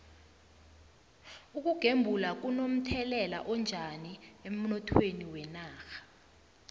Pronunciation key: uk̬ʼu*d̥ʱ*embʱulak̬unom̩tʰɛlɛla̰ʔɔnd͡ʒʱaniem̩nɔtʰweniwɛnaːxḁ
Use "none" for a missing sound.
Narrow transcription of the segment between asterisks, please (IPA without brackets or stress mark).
ɡ̥ʱ